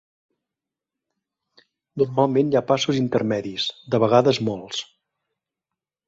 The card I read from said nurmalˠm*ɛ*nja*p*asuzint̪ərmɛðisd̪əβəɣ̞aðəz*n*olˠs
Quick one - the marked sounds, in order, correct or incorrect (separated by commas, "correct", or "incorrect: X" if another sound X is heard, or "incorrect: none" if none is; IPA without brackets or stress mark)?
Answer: incorrect: e, correct, incorrect: m